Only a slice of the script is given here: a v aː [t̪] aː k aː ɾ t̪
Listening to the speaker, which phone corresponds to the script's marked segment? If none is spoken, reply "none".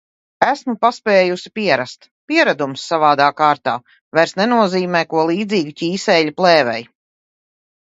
d̪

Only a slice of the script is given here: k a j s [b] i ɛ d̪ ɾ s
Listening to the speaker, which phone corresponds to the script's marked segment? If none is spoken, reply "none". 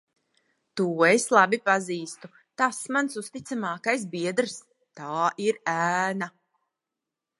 b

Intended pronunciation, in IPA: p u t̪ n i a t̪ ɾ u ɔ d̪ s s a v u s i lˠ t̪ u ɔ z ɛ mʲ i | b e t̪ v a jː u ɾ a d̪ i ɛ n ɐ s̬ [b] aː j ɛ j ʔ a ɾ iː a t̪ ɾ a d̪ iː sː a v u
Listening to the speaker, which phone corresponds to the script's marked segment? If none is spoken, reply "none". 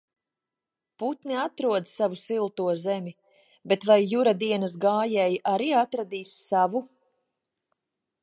ɡ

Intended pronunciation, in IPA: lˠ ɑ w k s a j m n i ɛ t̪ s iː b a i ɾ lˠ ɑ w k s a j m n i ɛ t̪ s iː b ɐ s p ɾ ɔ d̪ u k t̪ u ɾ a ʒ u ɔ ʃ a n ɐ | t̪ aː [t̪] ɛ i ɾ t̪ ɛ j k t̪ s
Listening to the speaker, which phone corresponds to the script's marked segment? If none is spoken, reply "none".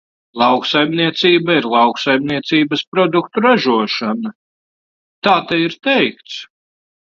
t̪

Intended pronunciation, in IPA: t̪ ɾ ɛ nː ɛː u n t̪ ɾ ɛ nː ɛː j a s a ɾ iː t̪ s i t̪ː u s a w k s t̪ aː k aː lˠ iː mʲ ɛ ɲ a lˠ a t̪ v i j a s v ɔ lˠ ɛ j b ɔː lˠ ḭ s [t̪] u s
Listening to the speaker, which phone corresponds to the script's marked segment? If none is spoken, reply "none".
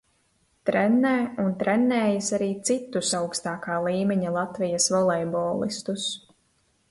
t̪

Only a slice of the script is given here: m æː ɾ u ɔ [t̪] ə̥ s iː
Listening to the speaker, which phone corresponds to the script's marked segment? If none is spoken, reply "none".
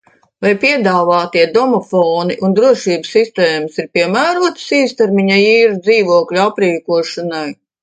t̪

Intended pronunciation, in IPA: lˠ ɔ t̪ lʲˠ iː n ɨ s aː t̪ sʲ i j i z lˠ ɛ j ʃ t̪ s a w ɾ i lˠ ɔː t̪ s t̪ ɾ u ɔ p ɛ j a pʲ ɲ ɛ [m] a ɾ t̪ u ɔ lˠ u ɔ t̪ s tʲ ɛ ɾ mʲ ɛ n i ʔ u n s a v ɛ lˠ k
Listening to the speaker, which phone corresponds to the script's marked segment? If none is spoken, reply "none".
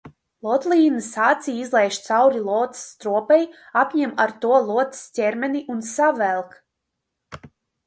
m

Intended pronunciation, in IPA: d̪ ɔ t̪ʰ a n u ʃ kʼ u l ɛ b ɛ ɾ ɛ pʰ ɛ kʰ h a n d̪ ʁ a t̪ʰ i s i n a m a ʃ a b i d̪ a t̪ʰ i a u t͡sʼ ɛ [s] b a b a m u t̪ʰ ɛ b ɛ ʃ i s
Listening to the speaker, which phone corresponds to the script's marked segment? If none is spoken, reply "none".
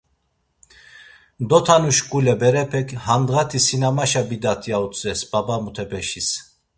s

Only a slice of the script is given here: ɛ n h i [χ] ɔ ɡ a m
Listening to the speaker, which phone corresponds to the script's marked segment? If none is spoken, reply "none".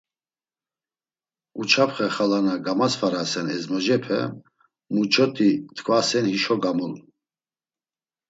ʃ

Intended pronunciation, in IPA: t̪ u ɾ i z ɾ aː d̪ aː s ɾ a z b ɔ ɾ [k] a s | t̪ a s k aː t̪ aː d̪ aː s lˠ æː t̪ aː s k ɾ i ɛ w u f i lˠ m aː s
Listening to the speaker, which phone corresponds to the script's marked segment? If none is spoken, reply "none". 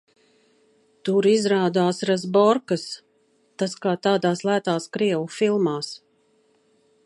k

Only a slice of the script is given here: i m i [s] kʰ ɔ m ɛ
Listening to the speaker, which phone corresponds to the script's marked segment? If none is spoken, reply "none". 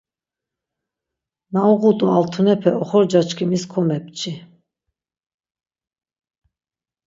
s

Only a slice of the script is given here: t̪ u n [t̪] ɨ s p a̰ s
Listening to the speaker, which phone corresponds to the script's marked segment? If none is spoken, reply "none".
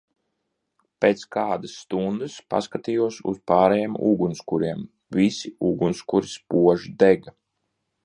d̪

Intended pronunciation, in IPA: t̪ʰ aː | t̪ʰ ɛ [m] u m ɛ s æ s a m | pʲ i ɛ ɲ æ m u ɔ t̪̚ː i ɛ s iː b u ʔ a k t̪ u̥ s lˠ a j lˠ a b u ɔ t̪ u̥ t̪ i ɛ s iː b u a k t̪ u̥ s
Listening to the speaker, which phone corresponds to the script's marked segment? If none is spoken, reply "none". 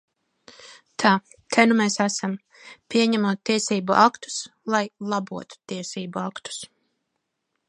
n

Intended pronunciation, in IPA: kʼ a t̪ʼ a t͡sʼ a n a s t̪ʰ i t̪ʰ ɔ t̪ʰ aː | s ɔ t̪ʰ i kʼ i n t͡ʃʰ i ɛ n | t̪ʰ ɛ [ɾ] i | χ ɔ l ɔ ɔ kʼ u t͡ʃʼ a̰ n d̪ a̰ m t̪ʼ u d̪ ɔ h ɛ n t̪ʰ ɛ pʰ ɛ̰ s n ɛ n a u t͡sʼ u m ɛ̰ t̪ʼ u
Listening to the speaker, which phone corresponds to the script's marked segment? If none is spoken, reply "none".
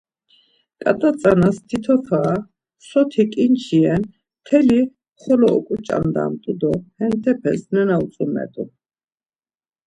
l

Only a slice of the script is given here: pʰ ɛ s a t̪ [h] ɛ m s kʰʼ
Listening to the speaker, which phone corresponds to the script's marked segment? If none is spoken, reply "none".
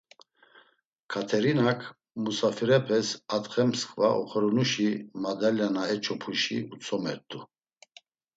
χ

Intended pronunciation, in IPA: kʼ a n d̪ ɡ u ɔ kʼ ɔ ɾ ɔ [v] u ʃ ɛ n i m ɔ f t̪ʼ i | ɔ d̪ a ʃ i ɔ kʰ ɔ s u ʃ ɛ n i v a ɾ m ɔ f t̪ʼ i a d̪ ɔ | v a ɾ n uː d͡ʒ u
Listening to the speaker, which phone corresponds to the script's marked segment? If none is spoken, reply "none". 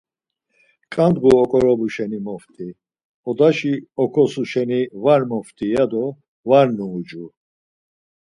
b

